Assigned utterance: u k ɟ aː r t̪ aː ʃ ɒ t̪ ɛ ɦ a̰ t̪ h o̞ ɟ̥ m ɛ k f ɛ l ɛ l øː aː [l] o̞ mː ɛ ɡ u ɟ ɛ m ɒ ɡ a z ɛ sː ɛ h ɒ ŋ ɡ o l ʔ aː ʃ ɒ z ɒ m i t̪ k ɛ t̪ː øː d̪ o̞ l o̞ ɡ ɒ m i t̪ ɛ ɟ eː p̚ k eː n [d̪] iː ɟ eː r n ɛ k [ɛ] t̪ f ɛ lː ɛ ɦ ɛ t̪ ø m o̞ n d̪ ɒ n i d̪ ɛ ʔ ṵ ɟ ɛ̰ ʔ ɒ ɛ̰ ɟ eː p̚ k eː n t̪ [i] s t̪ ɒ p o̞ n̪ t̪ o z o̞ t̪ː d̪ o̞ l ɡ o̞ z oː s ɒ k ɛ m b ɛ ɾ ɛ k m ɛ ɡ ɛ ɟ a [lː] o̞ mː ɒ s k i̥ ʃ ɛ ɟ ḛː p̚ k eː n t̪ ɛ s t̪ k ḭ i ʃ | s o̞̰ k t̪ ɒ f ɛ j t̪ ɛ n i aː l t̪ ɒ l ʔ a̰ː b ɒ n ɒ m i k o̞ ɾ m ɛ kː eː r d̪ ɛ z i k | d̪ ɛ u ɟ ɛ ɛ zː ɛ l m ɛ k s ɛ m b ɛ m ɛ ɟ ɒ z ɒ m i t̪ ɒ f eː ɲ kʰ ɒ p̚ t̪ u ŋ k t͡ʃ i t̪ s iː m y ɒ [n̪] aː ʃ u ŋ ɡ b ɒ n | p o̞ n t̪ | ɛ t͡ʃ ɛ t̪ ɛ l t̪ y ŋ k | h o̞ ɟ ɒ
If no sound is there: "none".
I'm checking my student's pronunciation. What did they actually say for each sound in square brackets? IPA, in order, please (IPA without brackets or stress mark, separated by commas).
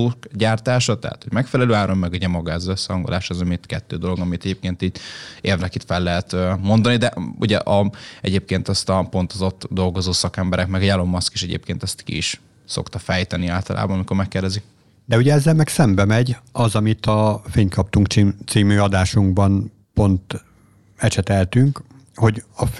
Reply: ɾ, t̪, i, ɛ, l, d̪